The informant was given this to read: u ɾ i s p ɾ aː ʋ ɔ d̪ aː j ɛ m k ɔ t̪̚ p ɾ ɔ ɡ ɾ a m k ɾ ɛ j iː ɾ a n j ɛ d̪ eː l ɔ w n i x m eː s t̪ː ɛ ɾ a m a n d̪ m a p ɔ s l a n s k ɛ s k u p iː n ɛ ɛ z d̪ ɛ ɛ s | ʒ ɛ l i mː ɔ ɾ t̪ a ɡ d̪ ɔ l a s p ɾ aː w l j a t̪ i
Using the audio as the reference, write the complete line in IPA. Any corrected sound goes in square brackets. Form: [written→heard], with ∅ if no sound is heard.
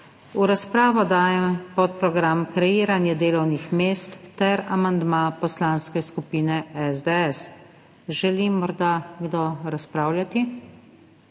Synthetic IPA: u ɾ [i→a] s p ɾ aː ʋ ɔ d̪ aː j ɛ m [k→p] ɔ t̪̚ p ɾ ɔ ɡ ɾ a m k ɾ ɛ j iː ɾ a n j ɛ d̪ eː l ɔ w n i x m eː s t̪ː ɛ ɾ a m a n d̪ m a p ɔ s l a n s k ɛ s k u p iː n ɛ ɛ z d̪ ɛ ɛ s | ʒ ɛ l i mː ɔ ɾ [t̪→d̪] a ɡ d̪ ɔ [l→ɾ] a s p ɾ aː w l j a t̪ i